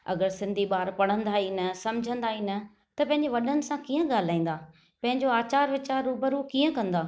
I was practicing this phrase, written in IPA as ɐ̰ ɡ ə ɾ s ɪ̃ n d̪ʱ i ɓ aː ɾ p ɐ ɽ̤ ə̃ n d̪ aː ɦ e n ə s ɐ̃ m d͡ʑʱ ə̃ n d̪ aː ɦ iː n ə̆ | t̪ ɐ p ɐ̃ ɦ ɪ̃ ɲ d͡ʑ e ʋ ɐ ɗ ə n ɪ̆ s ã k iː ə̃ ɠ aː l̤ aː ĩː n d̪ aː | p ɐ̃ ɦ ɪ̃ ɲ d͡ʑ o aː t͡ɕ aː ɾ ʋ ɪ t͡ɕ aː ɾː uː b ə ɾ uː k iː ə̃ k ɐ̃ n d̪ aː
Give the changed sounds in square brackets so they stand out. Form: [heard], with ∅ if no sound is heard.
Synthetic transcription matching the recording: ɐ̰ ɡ ə ɾ s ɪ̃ n d̪ʱ i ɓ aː ɾ p ɐ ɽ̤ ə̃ n d̪ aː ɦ [i] n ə s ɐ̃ m d͡ʑʱ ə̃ n d̪ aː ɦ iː n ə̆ | t̪ ɐ p ɐ̃ ɦ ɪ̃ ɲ d͡ʑ e ʋ ɐ ɗ ə n ɪ̆ s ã k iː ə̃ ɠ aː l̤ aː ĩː n d̪ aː | p ɐ̃ ɦ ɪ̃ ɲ d͡ʑ o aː t͡ɕ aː ɾ ʋ ɪ t͡ɕ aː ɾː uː b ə ɾ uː k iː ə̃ k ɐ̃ n d̪ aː